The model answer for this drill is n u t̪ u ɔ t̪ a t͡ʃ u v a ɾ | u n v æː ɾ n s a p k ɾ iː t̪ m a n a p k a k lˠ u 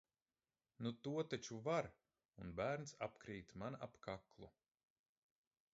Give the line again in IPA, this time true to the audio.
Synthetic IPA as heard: n u t̪ u ɔ t̪ a t͡ʃ u v a ɾ | u n b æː ɾ n s a p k ɾ iː t̪ m a n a p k a k lˠ u